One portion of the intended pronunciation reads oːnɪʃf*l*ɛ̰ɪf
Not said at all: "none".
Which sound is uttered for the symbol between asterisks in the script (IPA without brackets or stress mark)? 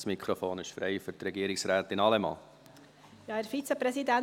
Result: ɾ